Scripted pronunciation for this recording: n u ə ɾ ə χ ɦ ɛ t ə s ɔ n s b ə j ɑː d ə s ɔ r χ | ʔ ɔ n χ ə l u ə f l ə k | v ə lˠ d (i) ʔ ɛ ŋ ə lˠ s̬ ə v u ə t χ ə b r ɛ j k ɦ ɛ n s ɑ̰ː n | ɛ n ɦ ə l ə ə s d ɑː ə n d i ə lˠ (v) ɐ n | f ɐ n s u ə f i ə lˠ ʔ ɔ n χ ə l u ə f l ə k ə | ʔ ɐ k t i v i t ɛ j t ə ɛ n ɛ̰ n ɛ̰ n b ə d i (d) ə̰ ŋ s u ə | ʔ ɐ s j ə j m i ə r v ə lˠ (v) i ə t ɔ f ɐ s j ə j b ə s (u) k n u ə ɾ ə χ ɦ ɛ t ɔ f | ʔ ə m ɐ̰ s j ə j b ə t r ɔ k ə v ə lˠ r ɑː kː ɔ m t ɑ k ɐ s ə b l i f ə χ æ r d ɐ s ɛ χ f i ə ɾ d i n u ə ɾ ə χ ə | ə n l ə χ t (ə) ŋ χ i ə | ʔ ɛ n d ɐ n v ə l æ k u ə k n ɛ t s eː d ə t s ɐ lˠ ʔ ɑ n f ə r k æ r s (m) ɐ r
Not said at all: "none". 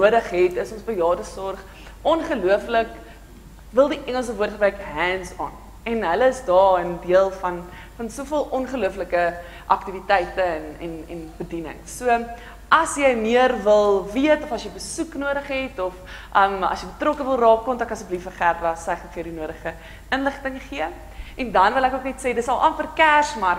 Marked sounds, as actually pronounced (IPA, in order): i, f, n, v, u, ə, m

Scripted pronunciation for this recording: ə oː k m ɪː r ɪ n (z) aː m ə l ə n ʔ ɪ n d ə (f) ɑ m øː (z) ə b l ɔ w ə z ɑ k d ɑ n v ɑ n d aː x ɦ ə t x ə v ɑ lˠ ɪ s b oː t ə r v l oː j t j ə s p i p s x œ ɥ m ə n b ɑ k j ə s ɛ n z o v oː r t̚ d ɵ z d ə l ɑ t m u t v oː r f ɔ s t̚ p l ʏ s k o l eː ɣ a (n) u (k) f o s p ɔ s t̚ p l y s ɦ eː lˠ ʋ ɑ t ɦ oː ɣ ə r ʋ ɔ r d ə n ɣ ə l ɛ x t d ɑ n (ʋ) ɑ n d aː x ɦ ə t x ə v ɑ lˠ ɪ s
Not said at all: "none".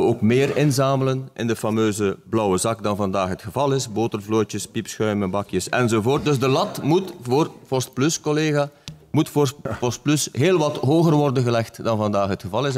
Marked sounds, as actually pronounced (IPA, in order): z, f, z, m, t, v

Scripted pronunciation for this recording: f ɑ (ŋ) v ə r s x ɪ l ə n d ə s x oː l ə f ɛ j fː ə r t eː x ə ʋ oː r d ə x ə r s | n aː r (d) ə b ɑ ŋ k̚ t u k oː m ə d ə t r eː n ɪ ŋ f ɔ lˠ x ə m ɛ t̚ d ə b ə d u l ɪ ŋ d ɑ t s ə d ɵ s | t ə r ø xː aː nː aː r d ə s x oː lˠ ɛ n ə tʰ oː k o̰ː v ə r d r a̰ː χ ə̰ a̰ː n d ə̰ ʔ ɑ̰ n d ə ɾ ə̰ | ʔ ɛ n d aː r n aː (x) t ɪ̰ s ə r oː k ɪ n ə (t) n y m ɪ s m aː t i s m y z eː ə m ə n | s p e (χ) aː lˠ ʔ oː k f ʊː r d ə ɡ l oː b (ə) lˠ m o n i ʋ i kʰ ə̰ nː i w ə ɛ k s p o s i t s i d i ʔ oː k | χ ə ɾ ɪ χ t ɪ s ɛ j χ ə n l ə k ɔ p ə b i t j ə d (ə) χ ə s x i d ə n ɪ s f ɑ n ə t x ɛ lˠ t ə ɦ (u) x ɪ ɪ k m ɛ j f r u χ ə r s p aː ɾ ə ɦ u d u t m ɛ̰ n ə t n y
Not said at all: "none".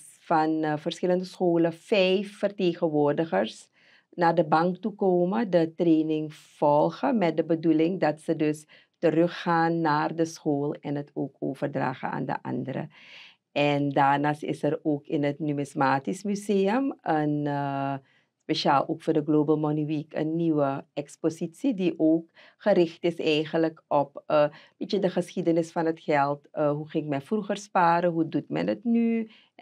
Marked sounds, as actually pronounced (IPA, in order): n, d, s, t, ʃ, ə, ə, u

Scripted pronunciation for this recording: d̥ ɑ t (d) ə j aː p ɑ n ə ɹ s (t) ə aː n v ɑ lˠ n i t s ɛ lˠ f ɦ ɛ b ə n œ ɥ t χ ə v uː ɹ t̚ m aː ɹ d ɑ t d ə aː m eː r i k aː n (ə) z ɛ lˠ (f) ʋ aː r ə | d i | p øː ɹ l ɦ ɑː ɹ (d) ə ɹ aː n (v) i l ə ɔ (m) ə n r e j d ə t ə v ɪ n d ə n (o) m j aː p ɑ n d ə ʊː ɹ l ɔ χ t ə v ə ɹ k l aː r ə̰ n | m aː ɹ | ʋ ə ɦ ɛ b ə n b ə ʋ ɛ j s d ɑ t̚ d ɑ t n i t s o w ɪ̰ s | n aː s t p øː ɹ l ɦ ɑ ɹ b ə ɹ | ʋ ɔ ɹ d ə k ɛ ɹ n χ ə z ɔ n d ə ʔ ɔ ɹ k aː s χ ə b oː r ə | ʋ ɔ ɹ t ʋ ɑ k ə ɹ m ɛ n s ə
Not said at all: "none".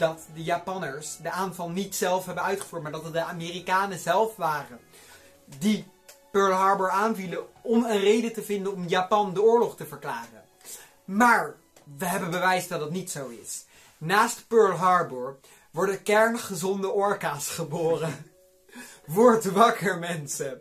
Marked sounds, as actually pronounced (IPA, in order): d, d, ə, f, b, v, m, ɔ

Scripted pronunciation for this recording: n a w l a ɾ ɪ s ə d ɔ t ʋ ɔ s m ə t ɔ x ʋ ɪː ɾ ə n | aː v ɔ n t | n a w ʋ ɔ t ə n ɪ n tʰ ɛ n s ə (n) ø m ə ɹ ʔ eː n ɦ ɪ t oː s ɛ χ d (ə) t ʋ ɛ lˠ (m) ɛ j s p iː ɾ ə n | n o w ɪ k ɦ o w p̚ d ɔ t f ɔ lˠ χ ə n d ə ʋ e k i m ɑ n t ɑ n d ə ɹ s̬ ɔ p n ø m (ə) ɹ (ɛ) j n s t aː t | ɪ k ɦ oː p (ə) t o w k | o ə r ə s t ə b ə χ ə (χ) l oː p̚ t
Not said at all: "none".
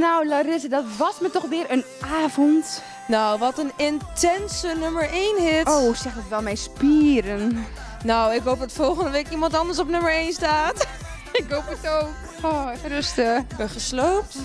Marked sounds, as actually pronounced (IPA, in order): n, ə, m, ə, e, ə, s

